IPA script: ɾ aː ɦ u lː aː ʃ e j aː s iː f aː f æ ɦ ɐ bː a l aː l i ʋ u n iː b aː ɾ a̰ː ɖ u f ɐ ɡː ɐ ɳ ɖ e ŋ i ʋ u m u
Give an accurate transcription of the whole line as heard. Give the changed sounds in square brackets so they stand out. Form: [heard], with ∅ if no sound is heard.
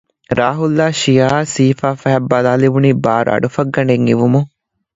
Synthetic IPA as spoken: ɾ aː ɦ u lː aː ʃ [i] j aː s iː f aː f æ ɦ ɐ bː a l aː l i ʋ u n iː b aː ɾ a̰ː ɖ u f ɐ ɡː ɐ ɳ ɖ e ŋ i ʋ u m u

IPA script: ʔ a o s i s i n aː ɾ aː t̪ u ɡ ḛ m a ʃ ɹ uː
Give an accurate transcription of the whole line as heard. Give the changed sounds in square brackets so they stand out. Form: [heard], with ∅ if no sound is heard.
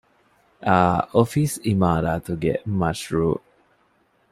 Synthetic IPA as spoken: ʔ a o [f] i s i [m] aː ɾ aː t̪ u ɡ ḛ m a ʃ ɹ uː

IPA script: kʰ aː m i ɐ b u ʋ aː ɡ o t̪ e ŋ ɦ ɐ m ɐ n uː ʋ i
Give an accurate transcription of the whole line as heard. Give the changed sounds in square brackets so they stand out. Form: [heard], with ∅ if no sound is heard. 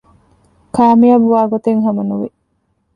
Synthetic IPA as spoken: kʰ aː m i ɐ b u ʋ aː ɡ o t̪ e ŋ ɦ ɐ m ɐ n [u] ʋ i

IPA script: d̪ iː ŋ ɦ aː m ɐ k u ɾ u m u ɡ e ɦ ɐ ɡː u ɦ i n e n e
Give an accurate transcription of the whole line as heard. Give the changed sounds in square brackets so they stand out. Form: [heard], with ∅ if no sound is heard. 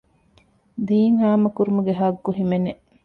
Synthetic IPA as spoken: d̪ iː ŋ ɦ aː m ɐ k u ɾ u m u ɡ e ɦ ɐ ɡː u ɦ i [m] e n e

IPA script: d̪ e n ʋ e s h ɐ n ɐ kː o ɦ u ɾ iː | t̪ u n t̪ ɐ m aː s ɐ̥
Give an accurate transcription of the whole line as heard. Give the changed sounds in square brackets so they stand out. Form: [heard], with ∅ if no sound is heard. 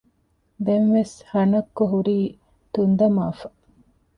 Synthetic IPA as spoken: d̪ e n ʋ e s h ɐ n ɐ kː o ɦ u ɾ iː | t̪ u n [d̪] ɐ m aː [f] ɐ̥

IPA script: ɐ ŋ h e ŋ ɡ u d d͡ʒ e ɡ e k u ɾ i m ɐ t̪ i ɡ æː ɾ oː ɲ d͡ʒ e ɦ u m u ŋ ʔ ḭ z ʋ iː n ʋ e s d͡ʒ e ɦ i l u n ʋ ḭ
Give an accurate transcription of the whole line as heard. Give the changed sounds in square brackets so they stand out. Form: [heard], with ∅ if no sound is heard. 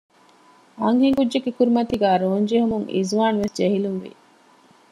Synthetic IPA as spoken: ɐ ŋ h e ŋ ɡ u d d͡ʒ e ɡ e k u ɾ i m ɐ t̪ i ɡ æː ɾ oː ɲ d͡ʒ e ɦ u m u ŋ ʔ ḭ z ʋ [aː] n ʋ e s d͡ʒ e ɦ i l u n ʋ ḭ

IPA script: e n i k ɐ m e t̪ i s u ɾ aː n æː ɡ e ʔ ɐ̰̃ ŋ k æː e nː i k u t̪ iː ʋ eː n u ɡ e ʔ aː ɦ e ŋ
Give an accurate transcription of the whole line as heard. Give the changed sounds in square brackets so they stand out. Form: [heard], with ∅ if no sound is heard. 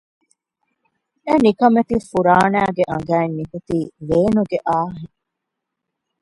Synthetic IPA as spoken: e n i k ɐ m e t̪ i [f] u ɾ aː n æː ɡ e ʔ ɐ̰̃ ŋ [ɡ] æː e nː i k u t̪ iː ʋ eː n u ɡ e ʔ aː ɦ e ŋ

